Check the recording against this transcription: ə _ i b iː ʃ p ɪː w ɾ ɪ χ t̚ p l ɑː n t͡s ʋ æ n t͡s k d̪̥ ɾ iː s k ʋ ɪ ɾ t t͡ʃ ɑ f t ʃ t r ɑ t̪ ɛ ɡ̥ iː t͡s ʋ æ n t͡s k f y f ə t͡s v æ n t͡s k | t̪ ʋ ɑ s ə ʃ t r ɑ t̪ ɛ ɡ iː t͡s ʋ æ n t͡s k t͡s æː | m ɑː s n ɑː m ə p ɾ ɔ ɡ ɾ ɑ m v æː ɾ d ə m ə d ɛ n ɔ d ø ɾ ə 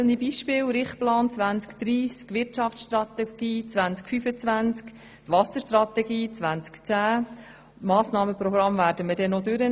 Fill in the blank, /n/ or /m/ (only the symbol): n